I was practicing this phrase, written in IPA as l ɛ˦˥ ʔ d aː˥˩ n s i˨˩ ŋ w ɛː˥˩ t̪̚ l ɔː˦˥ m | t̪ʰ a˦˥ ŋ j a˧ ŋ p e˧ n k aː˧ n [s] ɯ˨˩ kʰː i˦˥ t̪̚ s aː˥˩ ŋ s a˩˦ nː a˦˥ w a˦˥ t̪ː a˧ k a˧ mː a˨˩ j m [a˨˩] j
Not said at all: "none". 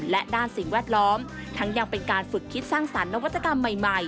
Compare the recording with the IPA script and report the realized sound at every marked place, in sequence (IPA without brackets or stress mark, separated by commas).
f, a˨˩